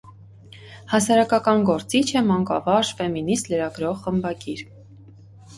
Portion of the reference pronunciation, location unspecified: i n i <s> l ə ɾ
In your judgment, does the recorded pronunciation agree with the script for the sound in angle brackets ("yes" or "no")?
yes